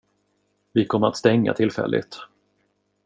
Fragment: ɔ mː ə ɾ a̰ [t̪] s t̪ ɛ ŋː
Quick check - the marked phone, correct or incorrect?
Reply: correct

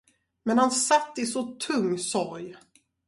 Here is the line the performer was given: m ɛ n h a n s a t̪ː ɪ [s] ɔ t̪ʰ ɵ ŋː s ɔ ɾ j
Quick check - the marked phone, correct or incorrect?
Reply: correct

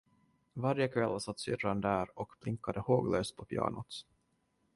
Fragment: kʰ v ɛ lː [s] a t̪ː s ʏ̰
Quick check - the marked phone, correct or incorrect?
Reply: correct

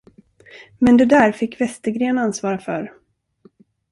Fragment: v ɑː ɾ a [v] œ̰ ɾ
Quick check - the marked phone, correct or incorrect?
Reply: incorrect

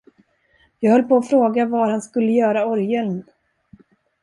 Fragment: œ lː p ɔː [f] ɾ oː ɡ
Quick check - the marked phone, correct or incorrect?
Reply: correct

